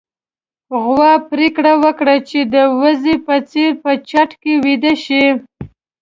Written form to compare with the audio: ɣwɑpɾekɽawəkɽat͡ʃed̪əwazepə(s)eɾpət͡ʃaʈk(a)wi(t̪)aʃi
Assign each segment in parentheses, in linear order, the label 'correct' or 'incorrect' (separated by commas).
incorrect, incorrect, incorrect